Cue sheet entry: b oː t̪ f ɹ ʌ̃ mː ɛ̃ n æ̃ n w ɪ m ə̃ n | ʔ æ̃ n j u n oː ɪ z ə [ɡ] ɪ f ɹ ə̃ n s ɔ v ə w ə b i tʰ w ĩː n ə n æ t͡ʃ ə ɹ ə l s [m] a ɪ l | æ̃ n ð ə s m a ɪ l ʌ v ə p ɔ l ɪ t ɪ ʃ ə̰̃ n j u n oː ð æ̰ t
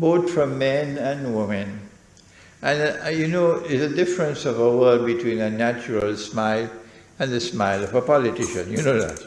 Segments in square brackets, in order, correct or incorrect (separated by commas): incorrect, correct